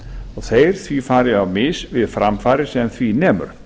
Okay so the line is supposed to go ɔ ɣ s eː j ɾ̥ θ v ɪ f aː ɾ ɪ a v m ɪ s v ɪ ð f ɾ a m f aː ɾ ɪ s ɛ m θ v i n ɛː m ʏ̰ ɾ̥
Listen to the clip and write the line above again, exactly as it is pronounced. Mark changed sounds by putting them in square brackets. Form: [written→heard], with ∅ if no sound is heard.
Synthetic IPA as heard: ɔ ɣ [s→θ] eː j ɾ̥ θ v [ɪ→i] f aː ɾ ɪ a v m ɪ s v ɪ ð f ɾ a m f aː ɾ ɪ s ɛ m θ v i n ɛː m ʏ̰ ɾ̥